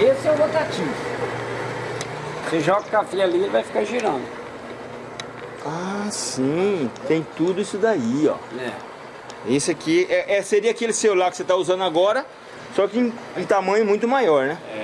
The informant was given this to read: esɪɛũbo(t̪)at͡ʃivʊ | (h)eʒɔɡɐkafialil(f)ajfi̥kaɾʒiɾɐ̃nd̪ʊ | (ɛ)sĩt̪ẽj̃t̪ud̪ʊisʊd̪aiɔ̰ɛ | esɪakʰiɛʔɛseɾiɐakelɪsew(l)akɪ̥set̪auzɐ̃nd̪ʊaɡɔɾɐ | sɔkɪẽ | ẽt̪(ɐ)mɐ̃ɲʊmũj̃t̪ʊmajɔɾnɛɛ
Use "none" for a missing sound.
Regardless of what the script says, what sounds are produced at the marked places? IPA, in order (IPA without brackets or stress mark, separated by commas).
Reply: t̪, s, v, a, l, a